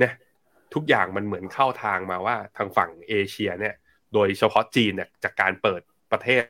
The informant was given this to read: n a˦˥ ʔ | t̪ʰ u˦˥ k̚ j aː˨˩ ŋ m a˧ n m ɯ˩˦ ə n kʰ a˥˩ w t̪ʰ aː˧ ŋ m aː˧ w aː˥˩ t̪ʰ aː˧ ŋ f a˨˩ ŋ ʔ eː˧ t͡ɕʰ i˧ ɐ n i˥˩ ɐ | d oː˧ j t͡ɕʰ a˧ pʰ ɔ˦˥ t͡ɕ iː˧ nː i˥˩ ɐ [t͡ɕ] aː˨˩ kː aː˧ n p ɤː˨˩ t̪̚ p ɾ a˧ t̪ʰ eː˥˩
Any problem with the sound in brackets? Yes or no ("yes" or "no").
no